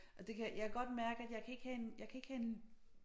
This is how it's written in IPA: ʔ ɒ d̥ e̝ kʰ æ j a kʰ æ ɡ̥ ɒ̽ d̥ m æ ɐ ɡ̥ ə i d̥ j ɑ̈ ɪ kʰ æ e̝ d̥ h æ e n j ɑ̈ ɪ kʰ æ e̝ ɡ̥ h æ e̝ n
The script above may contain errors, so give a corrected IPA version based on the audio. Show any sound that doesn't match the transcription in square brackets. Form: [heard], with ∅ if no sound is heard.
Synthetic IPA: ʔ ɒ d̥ e̝ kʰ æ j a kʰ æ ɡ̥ ɒ̽ d̥ m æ ɐ ɡ̥ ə [æ] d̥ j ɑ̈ ɪ kʰ æ e̝ [ɡ̥] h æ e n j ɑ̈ ɪ kʰ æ e̝ ɡ̥ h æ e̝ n